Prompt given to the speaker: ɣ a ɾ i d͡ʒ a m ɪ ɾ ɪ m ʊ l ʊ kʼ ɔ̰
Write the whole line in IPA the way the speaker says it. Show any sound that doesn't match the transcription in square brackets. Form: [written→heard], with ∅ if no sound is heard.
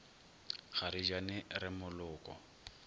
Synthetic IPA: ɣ a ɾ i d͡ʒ a [m→n] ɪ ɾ ɪ m ʊ l [ʊ→ʊː] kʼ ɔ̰